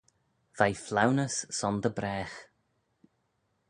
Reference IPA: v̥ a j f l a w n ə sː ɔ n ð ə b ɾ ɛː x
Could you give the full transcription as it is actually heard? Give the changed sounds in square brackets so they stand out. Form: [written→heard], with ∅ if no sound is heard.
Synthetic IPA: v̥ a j f l a w n ə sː ɔ n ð ə b ɾ ɛː x